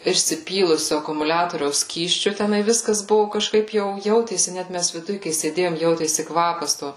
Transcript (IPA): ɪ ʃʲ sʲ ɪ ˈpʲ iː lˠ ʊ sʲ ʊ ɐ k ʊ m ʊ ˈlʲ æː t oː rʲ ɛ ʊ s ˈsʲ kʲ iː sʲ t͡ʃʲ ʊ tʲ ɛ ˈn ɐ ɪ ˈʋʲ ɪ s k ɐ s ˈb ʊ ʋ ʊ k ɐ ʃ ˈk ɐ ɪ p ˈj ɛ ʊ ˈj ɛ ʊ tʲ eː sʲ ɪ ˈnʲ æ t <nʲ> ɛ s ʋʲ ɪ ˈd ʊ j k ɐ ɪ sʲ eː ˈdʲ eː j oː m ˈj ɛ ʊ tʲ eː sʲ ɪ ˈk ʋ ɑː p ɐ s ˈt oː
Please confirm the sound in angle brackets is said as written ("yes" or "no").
no